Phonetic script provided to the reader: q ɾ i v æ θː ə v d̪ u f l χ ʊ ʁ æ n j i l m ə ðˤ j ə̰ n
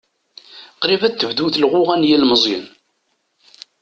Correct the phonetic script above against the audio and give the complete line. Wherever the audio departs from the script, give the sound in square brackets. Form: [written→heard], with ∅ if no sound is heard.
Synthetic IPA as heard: q ɾ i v æ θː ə v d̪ u [f→θ] l [χ→ʁ] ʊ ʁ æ n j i l m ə [ðˤ→zˤ] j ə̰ n